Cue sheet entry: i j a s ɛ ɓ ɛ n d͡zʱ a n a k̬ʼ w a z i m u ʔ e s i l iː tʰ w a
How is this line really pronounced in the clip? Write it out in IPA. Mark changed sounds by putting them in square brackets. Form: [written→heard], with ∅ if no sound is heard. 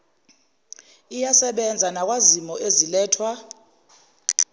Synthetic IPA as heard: i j a s ɛ ɓ ɛ n d͡zʱ a n a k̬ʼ w a z i m [u→ɔ] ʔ e [s→z] i l [iː→ɛː] tʰ w a